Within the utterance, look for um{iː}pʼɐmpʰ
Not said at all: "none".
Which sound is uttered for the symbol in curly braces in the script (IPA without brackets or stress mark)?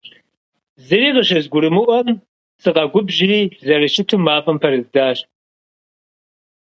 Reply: aː